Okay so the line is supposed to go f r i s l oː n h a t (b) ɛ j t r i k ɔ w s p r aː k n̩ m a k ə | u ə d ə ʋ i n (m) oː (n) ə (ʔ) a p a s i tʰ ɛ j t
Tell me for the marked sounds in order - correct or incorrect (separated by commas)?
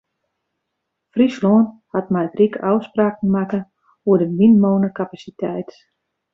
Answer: incorrect, correct, correct, incorrect